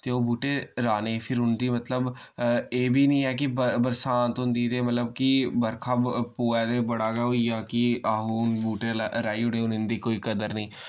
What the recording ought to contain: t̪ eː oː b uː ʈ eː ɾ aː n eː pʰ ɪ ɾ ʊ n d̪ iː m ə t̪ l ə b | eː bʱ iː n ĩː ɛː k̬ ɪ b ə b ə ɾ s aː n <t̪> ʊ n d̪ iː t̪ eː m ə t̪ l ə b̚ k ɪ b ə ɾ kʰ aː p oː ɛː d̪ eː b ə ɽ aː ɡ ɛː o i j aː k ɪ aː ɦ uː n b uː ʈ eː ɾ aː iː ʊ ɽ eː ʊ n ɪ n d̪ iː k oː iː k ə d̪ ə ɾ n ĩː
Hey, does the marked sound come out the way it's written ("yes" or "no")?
yes